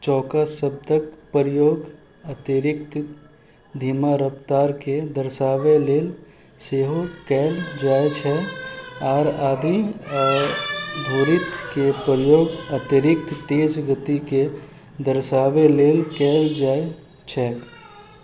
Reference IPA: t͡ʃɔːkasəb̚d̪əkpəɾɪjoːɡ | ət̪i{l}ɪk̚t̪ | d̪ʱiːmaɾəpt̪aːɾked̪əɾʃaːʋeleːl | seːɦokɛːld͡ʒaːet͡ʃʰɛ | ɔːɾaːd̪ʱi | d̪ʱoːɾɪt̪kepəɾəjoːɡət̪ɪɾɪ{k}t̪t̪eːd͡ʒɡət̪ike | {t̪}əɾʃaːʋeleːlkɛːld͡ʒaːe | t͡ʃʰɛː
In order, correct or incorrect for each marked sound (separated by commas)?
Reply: incorrect, correct, incorrect